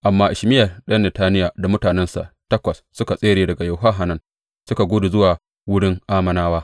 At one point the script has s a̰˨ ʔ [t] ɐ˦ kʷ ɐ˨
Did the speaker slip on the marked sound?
no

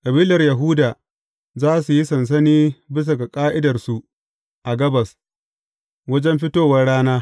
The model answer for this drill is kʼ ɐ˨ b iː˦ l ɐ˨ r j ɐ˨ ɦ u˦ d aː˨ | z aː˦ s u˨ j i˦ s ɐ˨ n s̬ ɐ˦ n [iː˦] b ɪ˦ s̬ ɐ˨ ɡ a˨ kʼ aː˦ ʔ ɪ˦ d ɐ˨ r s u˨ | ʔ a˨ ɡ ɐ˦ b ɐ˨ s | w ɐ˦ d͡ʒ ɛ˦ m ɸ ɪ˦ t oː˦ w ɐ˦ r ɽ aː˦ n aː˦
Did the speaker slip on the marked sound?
no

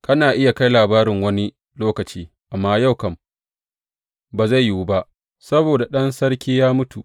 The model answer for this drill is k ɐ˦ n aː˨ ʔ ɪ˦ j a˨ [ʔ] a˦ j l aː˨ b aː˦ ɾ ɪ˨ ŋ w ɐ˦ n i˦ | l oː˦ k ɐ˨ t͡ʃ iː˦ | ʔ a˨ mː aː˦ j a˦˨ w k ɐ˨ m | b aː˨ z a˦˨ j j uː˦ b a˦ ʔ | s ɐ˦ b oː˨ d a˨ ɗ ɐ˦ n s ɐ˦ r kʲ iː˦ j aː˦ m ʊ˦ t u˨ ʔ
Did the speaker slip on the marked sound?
yes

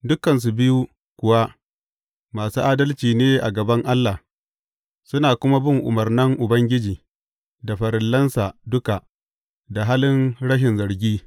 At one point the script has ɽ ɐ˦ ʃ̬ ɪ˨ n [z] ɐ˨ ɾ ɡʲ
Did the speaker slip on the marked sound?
no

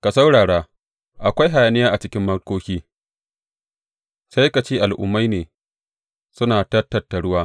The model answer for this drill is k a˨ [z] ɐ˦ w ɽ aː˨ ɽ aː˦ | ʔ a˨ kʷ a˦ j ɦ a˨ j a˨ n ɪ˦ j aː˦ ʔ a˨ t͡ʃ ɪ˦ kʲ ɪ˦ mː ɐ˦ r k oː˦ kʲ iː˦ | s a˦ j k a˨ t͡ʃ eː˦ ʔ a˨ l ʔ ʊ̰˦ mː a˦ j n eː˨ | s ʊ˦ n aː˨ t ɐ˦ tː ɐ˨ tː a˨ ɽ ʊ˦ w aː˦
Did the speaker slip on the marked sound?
yes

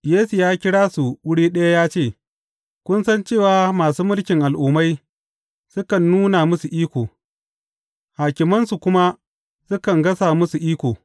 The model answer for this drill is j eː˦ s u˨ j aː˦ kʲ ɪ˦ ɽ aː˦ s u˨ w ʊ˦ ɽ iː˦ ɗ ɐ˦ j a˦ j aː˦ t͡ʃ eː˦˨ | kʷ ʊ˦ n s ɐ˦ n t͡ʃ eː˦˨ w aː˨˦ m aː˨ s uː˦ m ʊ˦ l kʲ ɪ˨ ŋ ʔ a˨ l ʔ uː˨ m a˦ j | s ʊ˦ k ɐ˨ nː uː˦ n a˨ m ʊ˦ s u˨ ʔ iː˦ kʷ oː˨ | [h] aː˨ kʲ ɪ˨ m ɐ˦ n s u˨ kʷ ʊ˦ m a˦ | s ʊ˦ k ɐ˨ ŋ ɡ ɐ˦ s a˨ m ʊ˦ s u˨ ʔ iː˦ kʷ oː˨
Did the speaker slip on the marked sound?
no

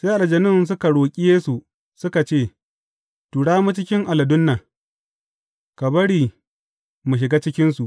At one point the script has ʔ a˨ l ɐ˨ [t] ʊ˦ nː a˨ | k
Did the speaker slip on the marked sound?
yes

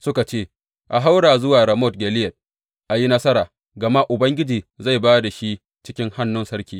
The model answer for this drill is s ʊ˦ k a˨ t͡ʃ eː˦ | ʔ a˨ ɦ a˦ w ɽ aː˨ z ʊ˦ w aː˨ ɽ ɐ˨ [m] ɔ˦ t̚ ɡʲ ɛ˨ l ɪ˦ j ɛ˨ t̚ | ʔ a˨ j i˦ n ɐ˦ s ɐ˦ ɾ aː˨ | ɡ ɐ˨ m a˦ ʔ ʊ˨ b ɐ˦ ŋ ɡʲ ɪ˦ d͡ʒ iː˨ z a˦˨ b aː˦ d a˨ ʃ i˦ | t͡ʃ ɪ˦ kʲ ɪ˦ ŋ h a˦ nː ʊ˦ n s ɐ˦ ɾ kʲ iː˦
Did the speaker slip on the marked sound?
no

